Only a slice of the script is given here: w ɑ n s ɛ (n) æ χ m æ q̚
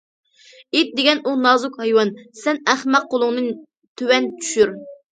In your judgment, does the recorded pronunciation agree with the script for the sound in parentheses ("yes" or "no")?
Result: yes